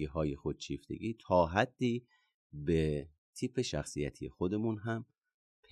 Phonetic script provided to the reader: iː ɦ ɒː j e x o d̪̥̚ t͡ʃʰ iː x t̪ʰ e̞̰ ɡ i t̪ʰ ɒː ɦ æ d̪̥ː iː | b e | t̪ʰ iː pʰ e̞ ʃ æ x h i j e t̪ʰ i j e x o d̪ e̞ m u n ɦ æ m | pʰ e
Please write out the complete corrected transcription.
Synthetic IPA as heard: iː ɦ ɒː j e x o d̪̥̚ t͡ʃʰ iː f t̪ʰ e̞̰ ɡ iː t̪ʰ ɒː ɦ æ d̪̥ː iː | b e | t̪ʰ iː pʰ e̞ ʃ æ x s i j æ t̪ʰ i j e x o d̪ e̞ m u n ɦ æ m | pʰ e